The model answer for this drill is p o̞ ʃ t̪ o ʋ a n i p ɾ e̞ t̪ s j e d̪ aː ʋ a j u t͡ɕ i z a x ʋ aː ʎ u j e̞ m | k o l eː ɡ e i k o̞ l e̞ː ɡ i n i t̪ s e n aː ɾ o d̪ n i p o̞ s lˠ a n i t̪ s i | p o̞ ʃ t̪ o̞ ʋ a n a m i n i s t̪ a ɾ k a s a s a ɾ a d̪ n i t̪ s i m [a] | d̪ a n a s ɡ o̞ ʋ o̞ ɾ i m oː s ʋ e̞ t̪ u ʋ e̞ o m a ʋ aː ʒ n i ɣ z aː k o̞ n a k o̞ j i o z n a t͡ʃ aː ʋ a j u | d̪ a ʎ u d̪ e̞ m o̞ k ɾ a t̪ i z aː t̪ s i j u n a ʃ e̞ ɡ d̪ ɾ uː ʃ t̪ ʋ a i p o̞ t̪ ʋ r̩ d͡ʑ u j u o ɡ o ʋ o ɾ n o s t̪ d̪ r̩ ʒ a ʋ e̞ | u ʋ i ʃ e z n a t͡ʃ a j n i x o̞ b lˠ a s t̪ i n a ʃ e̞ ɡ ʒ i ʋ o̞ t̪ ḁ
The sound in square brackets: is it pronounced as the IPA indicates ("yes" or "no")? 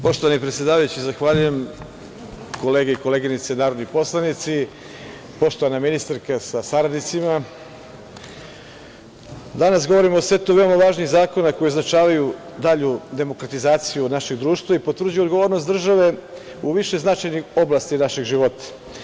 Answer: yes